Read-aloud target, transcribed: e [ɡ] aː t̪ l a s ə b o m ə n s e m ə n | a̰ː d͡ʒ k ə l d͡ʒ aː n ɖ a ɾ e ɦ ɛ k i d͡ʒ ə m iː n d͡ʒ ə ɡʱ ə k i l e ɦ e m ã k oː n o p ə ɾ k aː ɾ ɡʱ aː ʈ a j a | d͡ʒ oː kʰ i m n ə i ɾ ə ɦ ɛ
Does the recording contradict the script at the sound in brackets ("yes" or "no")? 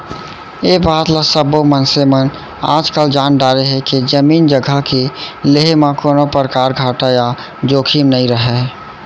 yes